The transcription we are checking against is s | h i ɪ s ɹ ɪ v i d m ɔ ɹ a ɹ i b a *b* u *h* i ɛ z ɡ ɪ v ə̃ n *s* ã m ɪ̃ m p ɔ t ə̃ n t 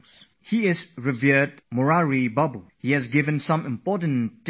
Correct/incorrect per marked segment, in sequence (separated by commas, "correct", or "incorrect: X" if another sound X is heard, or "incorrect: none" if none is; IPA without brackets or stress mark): correct, correct, correct